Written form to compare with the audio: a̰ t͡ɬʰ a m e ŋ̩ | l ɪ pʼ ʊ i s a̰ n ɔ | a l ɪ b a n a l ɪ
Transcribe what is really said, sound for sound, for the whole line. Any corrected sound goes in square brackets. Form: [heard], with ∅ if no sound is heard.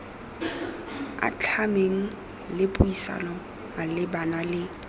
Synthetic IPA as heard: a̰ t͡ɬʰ a m e ŋ̩ | l ɪ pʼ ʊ i s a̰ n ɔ | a l ɪ b a n a l ɪ